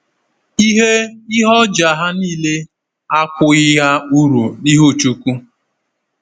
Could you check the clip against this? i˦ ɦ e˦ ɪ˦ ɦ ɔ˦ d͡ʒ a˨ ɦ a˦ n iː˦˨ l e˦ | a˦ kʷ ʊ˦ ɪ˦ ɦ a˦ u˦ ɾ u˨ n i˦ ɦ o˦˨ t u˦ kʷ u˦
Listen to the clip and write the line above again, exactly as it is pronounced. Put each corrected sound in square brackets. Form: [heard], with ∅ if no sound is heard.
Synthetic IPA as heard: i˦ ɦ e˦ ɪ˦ ɦ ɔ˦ d͡ʒ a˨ ɦ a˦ n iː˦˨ l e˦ | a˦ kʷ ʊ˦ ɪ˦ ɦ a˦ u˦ ɾ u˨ n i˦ ɦ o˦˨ [t͡ʃ] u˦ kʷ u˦